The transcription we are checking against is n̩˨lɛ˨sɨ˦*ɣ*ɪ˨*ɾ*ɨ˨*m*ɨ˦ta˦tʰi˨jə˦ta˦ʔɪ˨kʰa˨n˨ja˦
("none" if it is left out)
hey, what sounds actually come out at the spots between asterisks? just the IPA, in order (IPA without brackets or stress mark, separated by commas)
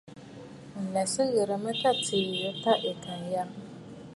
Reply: ɣ, ɾ, m